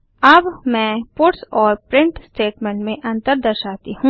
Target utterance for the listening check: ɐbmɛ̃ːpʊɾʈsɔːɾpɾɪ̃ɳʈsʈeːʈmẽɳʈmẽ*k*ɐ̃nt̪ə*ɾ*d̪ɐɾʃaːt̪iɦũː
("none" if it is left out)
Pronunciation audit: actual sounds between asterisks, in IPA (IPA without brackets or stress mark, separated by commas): ʔ, ɾ